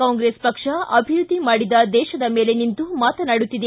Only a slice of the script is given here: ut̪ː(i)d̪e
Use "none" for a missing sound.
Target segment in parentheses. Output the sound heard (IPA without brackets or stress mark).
i